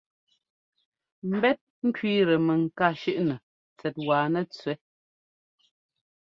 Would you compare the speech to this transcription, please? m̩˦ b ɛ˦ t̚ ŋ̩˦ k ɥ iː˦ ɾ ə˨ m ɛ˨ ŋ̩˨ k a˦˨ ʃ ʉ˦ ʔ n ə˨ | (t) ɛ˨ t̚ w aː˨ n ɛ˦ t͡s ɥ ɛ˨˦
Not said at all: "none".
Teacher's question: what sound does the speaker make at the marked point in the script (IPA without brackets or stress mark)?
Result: t͡s